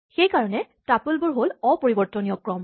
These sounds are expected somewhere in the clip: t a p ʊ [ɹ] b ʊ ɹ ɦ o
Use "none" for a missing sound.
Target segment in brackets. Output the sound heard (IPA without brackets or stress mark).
l